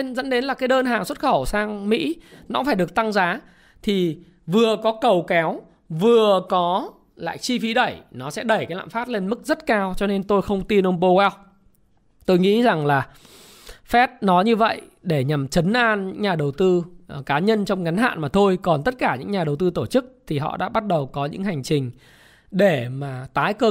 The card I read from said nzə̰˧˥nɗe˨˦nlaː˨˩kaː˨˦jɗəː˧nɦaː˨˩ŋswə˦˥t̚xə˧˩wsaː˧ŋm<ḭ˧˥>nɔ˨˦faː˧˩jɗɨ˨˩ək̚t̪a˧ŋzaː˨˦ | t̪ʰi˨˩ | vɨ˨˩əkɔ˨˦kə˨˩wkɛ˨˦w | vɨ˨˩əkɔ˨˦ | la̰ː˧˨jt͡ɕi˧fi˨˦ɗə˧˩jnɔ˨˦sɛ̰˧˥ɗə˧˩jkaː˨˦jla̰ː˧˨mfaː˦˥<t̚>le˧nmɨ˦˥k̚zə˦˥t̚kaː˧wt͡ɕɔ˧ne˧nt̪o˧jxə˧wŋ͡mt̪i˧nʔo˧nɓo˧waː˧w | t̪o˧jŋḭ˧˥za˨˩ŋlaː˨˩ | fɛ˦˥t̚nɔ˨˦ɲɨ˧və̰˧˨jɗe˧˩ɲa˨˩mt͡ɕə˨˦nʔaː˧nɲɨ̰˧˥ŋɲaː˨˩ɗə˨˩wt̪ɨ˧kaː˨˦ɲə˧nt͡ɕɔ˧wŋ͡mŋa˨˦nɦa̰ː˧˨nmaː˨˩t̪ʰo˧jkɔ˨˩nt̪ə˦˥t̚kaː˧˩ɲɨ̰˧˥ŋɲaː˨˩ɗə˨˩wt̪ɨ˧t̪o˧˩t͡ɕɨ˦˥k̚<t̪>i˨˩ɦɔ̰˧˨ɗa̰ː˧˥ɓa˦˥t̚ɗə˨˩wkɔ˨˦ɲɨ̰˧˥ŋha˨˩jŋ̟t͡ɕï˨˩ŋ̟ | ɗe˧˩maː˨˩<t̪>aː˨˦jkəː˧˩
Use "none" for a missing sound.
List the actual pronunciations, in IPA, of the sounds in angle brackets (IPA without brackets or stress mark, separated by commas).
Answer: ḭ˧˥, t̚, t̪ʰ, t̪